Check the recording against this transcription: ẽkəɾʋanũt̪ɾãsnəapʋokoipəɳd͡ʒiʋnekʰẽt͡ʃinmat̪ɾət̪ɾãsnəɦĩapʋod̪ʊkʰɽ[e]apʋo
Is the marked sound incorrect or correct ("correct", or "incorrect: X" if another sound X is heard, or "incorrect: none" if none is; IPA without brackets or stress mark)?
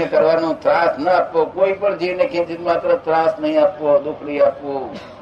incorrect: i